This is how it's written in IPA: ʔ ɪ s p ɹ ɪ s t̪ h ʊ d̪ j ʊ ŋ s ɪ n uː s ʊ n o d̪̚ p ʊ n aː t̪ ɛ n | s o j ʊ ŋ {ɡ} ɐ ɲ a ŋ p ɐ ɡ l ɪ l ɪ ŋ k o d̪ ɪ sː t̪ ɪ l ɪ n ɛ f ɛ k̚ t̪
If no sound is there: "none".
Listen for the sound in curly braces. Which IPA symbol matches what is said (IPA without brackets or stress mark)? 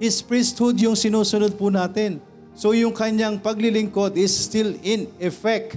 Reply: k